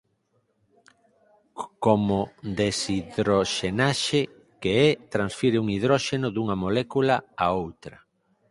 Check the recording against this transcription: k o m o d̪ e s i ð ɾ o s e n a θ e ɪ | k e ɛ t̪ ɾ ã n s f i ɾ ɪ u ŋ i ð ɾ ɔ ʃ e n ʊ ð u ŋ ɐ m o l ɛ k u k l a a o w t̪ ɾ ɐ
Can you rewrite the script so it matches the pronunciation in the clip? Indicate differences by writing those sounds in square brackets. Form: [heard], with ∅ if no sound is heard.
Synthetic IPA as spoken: k o m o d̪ e s i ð ɾ o [ʃ] e n a [ʃ] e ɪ | k e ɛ t̪ ɾ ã n s f i ɾ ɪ u ŋ i ð ɾ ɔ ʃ e n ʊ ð u ŋ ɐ m o l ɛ k u [∅] l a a o w t̪ ɾ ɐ

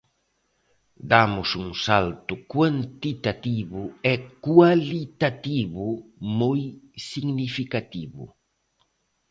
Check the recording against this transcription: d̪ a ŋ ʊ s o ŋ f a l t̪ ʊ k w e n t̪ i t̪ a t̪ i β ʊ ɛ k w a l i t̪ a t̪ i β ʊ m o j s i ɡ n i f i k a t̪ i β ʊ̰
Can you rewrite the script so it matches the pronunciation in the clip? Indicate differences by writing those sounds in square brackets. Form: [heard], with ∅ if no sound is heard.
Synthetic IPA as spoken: d̪ a [m] ʊ s [u] ŋ [s] a l t̪ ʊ k w [a] n t̪ i t̪ a t̪ i β ʊ ɛ k w a l i t̪ a t̪ i β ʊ m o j s i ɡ n i f i k a t̪ i β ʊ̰

